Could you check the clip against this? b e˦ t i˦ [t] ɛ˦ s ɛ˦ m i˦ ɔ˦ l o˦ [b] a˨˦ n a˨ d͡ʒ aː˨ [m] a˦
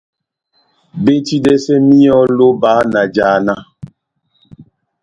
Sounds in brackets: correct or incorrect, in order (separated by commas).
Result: incorrect, correct, incorrect